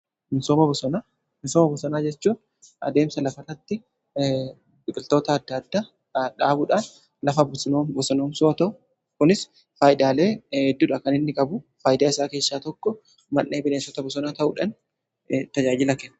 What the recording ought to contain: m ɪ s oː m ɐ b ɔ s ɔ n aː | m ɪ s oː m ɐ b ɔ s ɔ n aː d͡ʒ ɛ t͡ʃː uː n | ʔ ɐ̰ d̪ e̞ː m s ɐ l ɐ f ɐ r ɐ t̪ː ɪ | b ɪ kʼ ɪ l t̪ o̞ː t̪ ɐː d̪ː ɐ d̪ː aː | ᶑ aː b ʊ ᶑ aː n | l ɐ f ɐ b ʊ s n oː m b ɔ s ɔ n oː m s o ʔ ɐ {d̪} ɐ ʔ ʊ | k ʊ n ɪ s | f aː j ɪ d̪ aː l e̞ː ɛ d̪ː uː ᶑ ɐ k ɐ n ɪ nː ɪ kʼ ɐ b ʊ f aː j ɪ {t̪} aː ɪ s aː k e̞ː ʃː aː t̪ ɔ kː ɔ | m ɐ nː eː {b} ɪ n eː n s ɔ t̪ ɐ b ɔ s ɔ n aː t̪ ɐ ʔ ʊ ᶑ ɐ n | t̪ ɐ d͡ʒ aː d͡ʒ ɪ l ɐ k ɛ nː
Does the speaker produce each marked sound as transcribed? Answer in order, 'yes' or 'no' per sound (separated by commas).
no, no, yes